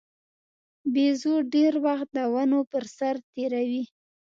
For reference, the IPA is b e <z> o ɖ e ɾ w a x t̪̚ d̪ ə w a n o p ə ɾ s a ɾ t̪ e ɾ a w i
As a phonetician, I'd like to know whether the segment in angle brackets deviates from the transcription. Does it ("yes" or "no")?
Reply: no